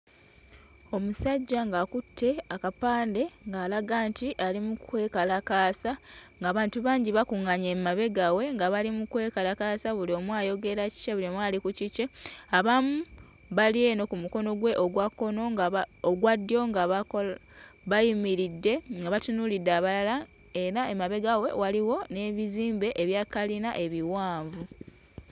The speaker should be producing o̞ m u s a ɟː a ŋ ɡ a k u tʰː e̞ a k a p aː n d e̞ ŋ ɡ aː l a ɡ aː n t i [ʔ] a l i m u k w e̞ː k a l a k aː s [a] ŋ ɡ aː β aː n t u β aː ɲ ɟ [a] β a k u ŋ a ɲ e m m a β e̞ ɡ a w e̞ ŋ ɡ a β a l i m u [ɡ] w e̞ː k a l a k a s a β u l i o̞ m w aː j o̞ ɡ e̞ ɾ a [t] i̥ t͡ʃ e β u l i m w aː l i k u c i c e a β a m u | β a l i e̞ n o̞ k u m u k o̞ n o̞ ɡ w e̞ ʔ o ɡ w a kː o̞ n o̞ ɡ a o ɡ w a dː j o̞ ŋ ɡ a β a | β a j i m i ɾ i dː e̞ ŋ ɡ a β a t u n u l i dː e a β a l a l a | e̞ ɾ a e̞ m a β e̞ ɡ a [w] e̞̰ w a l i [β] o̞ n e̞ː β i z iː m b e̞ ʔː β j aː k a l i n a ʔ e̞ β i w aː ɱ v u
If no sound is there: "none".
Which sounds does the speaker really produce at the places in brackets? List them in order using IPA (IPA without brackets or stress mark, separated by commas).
ʔ, a, i, k, c, w, w